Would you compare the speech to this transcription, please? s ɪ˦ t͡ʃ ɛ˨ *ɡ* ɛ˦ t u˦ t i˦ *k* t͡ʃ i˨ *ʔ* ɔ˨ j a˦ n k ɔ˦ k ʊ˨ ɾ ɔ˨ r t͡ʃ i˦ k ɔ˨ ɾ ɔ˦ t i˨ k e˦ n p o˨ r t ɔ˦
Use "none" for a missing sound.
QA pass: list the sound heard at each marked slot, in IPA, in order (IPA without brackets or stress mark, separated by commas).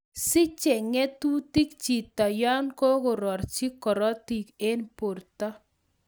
ŋ, k, t